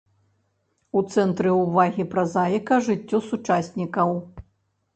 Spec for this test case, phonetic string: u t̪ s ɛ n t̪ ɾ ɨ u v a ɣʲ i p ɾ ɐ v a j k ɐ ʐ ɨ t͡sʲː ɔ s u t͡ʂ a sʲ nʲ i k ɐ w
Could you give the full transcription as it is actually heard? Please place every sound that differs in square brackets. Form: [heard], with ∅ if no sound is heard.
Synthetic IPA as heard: u t̪ s ɛ n t̪ ɾ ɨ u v a ɣʲ i p ɾ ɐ [z] a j k ɐ ʐ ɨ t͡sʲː ɔ s u t͡ʂ a sʲ nʲ i k ɐ w